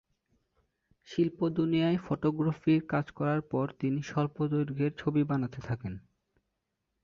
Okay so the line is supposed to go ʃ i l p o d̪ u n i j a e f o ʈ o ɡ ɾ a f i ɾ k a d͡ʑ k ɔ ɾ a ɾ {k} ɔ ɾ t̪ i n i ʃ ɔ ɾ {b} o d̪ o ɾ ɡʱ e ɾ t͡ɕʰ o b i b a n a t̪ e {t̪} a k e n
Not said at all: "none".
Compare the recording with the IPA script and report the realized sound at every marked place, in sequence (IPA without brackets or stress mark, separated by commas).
p, p, t̪ʰ